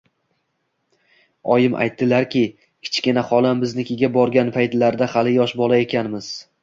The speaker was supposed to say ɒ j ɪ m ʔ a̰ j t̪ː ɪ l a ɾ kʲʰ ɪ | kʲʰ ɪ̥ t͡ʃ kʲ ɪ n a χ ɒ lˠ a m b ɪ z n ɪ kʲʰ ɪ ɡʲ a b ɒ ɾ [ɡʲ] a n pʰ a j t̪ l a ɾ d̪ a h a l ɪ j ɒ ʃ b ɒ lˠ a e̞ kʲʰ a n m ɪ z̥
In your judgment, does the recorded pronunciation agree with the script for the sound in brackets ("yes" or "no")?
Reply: yes